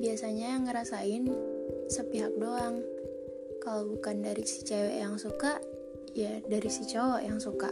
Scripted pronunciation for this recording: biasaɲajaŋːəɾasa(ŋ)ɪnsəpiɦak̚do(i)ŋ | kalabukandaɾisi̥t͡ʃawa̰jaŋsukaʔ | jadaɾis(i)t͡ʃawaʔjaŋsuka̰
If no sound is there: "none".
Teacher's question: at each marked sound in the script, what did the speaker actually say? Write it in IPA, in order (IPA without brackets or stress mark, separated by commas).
none, a, i